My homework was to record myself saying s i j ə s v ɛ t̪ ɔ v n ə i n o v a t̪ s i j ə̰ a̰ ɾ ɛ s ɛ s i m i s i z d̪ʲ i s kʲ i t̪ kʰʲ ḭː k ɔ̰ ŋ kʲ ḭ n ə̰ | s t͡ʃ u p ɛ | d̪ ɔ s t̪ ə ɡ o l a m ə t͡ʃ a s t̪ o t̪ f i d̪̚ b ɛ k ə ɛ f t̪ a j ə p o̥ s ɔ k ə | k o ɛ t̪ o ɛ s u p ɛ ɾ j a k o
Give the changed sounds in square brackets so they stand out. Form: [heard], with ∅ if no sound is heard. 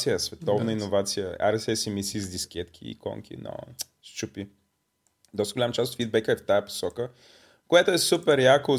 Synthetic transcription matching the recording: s i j ə s v ɛ t̪ ɔ v n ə i n o v a t̪ s i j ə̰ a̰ ɾ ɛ s ɛ s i m i s i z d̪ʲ i s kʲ [ɛ] t̪ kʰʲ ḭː k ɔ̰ ŋ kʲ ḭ n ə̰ | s t͡ʃ u p [i] | d̪ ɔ s t̪ ə ɡ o l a m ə t͡ʃ a s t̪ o t̪ f i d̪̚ b ɛ k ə ɛ f t̪ a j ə p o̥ s ɔ k ə | k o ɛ t̪ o ɛ s u p ɛ ɾ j a k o